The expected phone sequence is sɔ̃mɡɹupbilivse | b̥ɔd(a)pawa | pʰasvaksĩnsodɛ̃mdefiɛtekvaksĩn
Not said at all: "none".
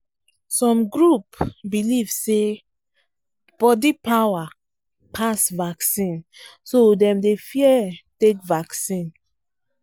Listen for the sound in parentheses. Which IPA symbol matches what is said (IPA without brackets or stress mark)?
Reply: i